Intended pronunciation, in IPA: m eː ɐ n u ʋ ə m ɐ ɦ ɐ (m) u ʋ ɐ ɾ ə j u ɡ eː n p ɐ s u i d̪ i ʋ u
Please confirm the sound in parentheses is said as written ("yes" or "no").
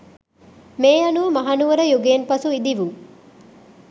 no